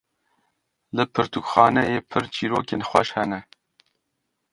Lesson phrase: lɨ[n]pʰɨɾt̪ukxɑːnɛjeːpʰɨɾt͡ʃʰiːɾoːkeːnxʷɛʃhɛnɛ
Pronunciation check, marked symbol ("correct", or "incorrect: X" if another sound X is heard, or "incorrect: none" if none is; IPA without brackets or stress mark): incorrect: none